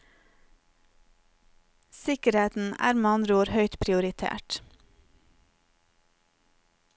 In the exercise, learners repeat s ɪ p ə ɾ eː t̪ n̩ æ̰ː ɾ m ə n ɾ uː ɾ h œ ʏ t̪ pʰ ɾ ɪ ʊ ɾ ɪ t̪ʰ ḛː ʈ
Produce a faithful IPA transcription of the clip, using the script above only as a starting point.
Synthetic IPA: s ɪ k ə ɾ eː t̪ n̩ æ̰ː ɾ m ɑ n ɾ uː ɾ h œ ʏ t̪ pʰ ɾ ɪ ʊ ɾ ɪ t̪ʰ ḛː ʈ